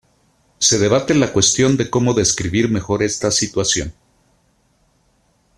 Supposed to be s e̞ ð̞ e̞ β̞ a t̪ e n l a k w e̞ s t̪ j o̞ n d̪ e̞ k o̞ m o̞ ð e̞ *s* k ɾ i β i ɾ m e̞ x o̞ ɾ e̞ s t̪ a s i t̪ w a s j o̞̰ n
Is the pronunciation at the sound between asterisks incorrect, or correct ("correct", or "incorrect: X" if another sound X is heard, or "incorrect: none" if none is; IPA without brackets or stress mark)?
correct